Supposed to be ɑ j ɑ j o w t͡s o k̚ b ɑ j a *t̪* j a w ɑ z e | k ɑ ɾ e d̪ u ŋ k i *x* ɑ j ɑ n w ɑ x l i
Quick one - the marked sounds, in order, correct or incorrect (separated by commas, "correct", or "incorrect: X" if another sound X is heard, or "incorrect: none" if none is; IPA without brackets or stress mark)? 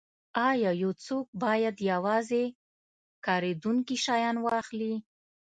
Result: incorrect: d̪, incorrect: ʃ